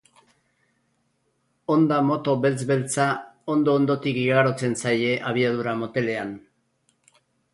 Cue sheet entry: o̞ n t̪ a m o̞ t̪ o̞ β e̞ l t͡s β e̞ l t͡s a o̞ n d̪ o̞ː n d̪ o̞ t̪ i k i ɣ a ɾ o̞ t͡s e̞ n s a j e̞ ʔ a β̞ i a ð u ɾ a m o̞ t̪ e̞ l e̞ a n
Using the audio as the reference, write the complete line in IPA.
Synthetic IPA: o̞ n d̪ a m o̞ t̪ o̞ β e̞ l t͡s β e̞ l t͡s a o̞ n d̪ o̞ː n d̪ o̞ t̪ i k i ɣ a ɾ o̞ t͡s e̞ n s a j e̞ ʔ a β̞ i a ð u ɾ a m o̞ t̪ e̞ l e̞ a n